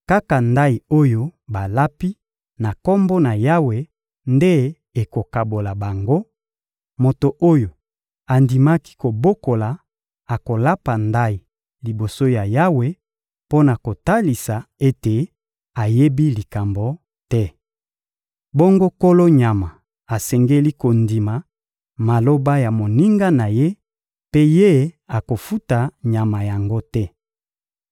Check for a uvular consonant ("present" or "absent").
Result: absent